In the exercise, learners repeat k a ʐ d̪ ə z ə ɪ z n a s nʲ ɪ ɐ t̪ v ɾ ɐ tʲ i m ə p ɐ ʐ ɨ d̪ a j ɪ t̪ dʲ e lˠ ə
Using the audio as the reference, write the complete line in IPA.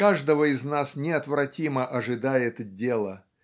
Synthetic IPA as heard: k a ʐ d̪ ə v ə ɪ z n a s nʲ ɪ ɐ t̪ v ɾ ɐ tʲ i m ə ʔ ɐ ʐ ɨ d̪ a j ɪ t̪ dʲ e lˠ ə